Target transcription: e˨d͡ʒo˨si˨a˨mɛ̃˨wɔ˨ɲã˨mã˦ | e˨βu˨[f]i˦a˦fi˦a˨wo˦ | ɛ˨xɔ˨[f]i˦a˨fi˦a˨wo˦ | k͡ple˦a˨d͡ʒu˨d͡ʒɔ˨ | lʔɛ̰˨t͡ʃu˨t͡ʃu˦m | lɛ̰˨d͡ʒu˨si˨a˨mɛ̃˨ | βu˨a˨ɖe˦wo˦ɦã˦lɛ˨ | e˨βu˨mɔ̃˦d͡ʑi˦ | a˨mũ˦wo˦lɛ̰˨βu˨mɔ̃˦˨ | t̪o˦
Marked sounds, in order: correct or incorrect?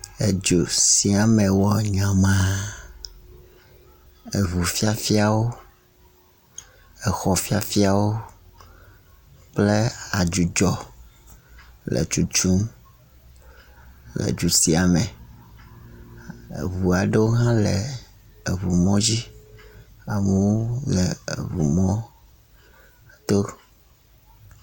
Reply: correct, correct

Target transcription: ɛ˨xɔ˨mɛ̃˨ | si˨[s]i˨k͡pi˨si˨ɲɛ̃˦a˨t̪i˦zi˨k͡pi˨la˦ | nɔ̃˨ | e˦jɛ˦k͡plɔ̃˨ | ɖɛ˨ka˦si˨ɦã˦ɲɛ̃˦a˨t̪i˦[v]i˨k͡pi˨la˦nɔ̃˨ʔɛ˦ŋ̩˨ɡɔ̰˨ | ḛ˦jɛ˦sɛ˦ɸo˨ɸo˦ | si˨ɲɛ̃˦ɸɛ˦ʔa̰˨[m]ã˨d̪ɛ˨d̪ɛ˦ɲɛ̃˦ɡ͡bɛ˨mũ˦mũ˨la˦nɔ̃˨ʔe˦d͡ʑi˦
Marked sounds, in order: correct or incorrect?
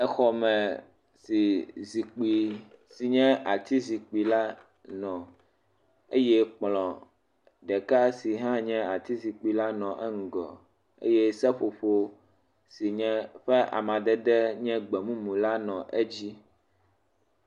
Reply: incorrect, incorrect, correct

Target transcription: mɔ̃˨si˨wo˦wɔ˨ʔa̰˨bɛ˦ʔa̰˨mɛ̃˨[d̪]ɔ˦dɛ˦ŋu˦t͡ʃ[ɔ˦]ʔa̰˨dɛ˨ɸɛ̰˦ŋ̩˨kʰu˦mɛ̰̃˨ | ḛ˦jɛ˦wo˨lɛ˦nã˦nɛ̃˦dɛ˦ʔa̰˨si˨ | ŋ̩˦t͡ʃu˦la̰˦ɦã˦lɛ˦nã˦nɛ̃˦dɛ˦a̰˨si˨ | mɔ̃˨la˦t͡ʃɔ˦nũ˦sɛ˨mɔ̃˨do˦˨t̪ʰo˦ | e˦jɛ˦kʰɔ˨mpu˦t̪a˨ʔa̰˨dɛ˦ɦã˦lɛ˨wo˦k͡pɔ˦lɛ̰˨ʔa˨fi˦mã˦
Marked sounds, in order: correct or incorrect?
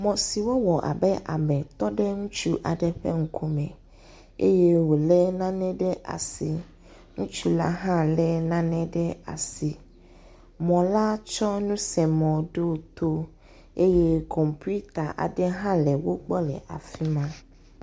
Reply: incorrect, incorrect

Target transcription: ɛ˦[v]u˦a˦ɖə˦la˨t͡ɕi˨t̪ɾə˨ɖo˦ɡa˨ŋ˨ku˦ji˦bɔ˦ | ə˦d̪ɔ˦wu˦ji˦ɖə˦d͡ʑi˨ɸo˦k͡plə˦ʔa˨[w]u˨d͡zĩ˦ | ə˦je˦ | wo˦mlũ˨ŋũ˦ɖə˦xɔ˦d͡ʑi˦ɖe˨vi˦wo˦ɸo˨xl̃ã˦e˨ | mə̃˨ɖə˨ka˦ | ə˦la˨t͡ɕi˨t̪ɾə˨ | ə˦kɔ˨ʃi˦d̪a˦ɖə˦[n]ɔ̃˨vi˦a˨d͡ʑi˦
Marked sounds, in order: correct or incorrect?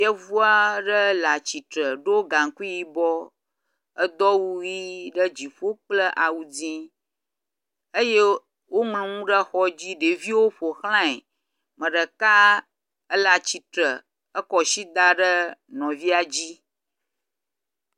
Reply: correct, correct, correct

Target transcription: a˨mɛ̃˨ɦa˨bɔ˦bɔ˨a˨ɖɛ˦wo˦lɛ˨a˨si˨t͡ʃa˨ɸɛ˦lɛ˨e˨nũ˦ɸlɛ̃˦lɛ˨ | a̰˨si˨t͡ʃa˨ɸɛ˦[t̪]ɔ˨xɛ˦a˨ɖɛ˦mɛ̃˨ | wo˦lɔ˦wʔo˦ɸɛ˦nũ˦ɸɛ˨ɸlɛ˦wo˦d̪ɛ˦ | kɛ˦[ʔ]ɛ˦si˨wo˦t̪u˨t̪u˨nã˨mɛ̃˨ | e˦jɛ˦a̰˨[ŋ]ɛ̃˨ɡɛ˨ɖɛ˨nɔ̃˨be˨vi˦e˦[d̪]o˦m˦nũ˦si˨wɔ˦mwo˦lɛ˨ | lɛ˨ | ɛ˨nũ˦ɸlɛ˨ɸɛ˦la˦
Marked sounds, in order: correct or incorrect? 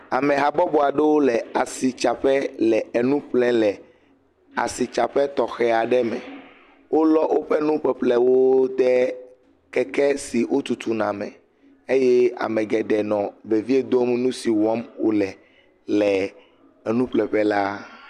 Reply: correct, incorrect, incorrect, correct

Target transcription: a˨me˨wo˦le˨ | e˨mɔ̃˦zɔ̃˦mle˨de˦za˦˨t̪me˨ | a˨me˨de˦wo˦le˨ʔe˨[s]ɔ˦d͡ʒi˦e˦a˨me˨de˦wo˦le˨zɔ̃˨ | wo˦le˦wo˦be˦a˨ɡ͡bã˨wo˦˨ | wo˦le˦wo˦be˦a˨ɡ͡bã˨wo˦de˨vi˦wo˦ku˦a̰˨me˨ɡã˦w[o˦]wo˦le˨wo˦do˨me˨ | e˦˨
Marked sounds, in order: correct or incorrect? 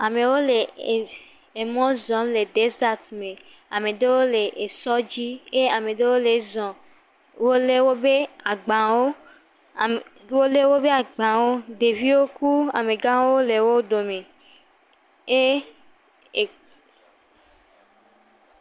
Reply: correct, correct

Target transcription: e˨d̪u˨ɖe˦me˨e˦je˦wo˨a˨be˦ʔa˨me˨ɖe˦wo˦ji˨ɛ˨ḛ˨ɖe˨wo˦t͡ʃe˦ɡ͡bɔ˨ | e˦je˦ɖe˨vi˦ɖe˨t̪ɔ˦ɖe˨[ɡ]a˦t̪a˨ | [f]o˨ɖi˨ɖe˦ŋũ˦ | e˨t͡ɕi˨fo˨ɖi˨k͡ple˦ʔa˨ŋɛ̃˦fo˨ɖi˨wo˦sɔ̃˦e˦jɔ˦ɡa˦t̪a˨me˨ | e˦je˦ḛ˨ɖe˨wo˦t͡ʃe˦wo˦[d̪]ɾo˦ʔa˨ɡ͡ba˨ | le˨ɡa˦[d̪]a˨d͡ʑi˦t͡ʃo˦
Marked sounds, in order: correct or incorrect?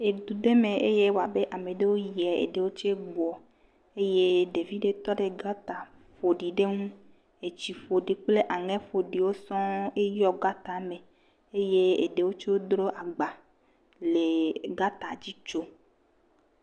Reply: correct, correct, correct, incorrect

